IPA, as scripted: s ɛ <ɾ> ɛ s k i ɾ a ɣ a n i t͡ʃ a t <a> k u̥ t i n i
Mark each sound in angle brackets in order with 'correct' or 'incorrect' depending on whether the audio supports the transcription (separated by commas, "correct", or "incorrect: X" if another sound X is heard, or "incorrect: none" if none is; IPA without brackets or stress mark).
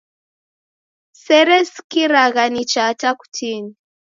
correct, correct